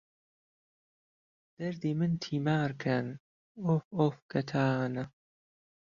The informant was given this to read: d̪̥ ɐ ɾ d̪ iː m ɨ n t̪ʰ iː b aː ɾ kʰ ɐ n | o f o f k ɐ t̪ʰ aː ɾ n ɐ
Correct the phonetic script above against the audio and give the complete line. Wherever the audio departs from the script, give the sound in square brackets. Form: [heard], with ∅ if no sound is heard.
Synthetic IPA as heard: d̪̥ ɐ ɾ d̪ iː m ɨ n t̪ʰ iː [m] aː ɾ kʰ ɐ n | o f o f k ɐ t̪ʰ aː [∅] n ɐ